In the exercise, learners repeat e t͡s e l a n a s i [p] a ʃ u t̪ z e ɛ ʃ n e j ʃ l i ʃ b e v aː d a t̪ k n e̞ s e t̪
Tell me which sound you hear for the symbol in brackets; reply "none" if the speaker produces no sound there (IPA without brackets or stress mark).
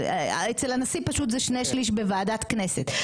p